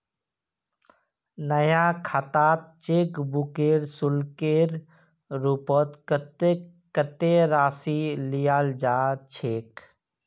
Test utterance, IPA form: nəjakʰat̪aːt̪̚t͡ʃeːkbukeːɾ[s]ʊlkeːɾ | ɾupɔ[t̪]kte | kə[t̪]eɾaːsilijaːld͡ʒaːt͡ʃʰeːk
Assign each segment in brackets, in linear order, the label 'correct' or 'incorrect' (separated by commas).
correct, correct, correct